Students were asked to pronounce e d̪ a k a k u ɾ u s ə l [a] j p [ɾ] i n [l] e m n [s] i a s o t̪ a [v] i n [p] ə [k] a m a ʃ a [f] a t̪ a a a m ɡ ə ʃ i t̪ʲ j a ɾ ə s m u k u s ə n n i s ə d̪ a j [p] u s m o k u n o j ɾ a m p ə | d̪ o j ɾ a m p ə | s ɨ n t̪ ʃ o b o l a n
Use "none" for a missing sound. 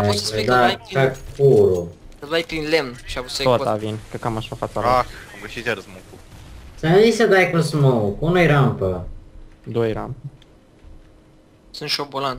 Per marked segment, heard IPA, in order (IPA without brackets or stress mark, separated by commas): a, ɾ, l, ʃ, v, k, k, f, k